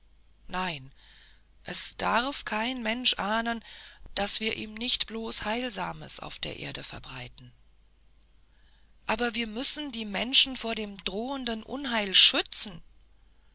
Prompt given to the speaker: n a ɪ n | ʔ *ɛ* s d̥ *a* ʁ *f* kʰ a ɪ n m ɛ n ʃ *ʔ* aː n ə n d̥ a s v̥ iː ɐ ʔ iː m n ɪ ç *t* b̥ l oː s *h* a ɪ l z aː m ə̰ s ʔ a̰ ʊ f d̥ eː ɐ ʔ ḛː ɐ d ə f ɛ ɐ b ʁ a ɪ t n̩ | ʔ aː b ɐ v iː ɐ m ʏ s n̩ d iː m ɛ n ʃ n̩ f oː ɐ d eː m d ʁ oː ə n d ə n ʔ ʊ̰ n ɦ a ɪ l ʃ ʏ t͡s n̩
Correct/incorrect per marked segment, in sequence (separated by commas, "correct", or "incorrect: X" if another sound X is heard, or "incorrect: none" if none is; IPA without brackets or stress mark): correct, correct, correct, correct, correct, correct